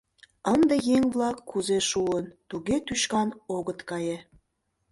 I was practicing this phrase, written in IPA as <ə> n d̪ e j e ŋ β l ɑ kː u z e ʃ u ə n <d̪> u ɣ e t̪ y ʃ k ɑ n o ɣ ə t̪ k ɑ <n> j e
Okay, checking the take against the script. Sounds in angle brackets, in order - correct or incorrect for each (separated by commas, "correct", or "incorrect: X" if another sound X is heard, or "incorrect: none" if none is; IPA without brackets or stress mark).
correct, incorrect: t̪, incorrect: none